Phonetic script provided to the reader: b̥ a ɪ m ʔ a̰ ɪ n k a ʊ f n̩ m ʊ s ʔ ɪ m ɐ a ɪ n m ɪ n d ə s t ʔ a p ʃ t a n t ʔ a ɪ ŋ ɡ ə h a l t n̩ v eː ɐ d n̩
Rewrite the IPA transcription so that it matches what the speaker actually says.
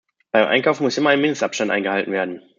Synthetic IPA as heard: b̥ a ɪ m ʔ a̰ ɪ n k a ʊ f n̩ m ʊ s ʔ ɪ m ɐ a ɪ n m ɪ n d ə s t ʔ a p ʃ t a n t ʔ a ɪ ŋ ɡ ə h a l t n̩ v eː ɐ d n̩